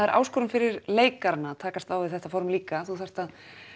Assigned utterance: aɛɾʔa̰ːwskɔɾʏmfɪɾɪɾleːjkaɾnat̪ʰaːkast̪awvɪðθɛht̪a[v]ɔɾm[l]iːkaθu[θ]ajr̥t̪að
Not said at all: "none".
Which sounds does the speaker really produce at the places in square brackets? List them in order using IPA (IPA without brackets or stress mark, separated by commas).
f, l, θ